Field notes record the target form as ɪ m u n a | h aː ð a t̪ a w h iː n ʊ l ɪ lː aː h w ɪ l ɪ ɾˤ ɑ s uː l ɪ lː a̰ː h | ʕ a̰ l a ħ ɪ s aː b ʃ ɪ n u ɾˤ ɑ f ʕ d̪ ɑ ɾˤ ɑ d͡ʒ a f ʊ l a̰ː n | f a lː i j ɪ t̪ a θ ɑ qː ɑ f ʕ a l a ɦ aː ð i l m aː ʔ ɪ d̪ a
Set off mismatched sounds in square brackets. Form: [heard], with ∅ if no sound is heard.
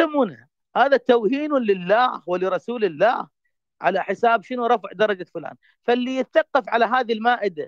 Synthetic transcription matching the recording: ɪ m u n a | h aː ð a t̪ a w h iː n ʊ l ɪ lː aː h w ɪ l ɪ ɾˤ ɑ s uː l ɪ lː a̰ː h | ʕ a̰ l a ħ ɪ s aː b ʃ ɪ n u ɾˤ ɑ f ʕ d̪ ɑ ɾˤ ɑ d͡ʒ a f ʊ l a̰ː n | f a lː i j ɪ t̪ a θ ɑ qː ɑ f ʕ a l a ɦ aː ð i l m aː ʔ ɪ d̪ a